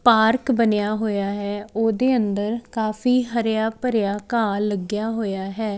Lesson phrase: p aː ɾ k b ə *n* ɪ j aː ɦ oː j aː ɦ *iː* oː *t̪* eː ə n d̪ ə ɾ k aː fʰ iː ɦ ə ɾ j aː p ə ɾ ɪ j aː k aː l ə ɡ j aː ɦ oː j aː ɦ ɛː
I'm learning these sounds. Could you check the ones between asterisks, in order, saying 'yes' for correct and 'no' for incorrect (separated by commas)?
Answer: yes, no, no